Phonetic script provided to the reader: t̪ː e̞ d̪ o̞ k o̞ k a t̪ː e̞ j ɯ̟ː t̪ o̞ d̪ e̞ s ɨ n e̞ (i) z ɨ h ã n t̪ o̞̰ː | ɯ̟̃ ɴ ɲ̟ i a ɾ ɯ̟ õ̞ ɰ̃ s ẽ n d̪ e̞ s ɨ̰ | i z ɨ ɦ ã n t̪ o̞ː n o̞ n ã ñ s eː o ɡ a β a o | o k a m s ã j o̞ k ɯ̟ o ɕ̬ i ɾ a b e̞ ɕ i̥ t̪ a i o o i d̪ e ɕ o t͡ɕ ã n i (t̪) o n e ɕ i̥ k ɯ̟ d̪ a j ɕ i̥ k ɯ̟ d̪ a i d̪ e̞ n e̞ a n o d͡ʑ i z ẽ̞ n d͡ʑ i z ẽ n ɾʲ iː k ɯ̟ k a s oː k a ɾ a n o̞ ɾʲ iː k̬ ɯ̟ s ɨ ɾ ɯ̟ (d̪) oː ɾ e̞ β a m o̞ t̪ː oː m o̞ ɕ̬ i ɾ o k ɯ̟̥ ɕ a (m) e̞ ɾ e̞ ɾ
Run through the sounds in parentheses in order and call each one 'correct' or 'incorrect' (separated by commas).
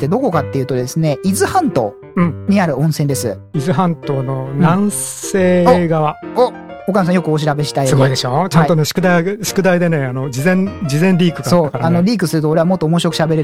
correct, correct, incorrect, incorrect